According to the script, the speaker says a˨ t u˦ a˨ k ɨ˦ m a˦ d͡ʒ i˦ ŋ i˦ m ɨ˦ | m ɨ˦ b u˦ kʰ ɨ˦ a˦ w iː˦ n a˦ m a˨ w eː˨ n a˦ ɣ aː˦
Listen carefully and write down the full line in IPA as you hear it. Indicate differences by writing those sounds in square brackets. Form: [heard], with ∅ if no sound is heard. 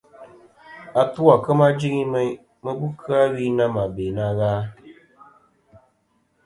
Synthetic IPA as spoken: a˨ t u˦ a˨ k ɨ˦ m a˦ d͡ʒ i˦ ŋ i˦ m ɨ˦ | m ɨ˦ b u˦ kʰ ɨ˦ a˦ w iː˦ n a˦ m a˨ [b] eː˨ n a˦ ɣ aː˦